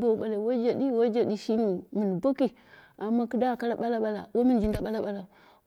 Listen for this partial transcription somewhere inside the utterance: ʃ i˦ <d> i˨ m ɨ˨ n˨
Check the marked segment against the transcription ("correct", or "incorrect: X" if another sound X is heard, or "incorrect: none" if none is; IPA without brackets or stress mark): incorrect: n